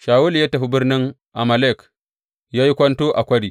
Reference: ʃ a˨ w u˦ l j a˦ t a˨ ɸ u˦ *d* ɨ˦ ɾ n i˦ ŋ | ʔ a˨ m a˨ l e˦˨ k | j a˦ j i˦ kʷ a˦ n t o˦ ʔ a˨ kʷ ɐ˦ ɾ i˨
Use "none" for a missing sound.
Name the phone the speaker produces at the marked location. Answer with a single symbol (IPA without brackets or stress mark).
b